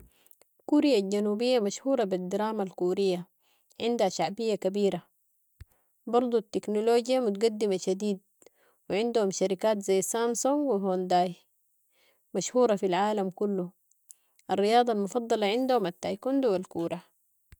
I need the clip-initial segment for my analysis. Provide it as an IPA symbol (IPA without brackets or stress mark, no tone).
k